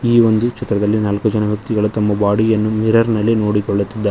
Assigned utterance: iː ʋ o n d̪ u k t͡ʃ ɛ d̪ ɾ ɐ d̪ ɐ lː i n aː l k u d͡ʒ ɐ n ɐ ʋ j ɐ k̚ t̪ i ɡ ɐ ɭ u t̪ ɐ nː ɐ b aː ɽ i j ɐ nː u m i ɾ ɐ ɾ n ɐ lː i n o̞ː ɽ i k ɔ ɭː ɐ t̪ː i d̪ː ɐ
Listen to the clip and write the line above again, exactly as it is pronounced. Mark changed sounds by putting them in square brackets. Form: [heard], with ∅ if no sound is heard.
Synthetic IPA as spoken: iː ʋ o n d̪ u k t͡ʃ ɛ [t̪] ɾ ɐ d̪ ɐ lː i n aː l k u d͡ʒ ɐ n ɐ ʋ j ɐ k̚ t̪ i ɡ ɐ ɭ u t̪ ɐ [mː] ɐ b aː ɽ i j ɐ nː u m i ɾ ɐ ɾ n ɐ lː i n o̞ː ɽ i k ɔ ɭː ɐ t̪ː i d̪ː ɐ